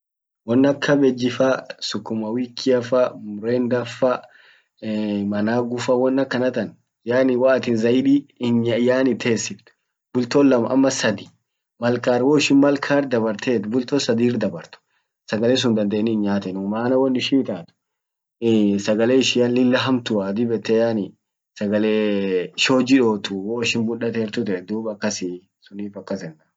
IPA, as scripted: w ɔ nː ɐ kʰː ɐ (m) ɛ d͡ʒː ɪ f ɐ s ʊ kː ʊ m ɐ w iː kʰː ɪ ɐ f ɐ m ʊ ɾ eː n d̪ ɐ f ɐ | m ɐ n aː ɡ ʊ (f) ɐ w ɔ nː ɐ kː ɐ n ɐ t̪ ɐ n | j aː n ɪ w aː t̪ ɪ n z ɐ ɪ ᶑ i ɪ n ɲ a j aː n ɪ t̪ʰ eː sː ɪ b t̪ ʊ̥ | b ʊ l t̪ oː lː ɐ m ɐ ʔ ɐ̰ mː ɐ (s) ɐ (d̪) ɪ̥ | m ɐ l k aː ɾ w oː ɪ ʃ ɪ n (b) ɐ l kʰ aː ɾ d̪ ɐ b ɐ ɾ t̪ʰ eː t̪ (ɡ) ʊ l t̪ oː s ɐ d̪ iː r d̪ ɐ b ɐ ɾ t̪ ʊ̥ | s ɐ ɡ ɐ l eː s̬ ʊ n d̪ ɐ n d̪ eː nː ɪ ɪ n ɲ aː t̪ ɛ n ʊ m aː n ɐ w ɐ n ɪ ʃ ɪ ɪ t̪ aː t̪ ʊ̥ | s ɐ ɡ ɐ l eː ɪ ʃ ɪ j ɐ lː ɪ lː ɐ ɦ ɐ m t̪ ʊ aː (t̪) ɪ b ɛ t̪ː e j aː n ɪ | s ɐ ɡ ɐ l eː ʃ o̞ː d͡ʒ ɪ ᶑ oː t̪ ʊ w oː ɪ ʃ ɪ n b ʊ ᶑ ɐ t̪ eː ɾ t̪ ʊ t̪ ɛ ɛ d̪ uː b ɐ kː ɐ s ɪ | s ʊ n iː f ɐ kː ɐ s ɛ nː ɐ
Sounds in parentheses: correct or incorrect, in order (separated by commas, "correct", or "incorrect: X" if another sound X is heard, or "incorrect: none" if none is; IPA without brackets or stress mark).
incorrect: b, correct, correct, correct, incorrect: m, incorrect: b, incorrect: d̪